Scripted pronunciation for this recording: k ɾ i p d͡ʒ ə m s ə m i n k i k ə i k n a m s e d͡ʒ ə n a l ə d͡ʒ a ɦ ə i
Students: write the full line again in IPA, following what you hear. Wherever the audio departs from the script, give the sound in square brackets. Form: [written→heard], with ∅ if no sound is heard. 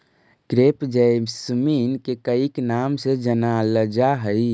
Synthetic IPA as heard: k ɾ [i→e] p d͡ʒ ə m s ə m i n k [i→e] k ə i k n a m s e d͡ʒ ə n a l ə d͡ʒ a ɦ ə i